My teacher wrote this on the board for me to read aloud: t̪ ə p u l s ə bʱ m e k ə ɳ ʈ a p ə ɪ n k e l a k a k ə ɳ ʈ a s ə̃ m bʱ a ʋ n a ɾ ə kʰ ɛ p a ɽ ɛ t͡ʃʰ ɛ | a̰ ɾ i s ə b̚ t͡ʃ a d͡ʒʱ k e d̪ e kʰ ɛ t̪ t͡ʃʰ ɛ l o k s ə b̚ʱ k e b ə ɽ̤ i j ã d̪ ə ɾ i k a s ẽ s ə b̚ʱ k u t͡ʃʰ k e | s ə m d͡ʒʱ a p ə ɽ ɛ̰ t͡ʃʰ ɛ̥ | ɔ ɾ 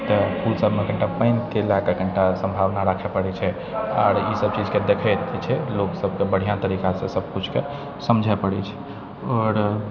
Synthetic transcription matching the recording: t̪ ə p u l s ə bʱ m e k ə ɳ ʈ a p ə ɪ n k e l a k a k ə ɳ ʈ a s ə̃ m bʱ a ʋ n a ɾ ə kʰ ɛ p ə ɽ ɛ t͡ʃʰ ɛ | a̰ ɾ i s ə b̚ t͡ʃ i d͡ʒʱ k e d̪ e kʰ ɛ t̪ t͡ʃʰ ɛ l o k s ə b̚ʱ k e b ə ɽ̤ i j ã t̪ ə ɾ i k a s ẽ s ə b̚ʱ k u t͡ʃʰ k e | s ə m d͡ʒʱ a p ə ɽ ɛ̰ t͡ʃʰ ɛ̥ | ɔ ɾ